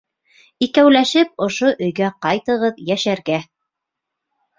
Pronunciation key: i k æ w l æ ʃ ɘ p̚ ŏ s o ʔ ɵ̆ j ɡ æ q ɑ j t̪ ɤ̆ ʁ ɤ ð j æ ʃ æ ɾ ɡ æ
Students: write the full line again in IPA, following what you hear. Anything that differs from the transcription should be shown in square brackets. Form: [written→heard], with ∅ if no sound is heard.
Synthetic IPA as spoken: i k æ w l æ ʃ ɘ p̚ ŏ [s→ʃ] o ʔ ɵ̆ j ɡ æ q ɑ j t̪ ɤ̆ ʁ ɤ ð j æ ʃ æ ɾ ɡ æ